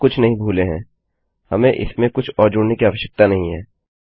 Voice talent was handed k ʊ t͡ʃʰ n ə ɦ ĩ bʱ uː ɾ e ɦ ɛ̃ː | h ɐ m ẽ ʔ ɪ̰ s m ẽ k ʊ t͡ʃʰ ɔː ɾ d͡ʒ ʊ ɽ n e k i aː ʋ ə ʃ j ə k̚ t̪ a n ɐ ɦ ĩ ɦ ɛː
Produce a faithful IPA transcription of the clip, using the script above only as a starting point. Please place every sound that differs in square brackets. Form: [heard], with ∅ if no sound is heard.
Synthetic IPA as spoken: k ʊ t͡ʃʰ n [ɐ] ɦ ĩ bʱ uː [l] e ɦ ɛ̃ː | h ɐ m ẽ ʔ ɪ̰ s m ẽ k ʊ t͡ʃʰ ɔː ɾ d͡ʒ ʊ ɽ n e k i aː ʋ ə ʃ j ə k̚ t̪ a n ɐ ɦ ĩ ɦ ɛː